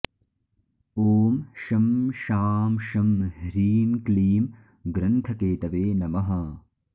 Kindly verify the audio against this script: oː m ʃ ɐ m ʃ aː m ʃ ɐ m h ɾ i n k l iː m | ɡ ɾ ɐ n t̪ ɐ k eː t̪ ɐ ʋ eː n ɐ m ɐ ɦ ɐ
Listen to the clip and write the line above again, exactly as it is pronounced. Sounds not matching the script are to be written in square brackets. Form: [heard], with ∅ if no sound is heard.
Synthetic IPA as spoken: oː m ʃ ɐ m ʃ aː m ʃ ɐ m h ɾ [iː] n k l iː m | ɡ ɾ ɐ n [t̪ʰ] ɐ k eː t̪ ɐ ʋ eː n ɐ m ɐ ɦ ɐ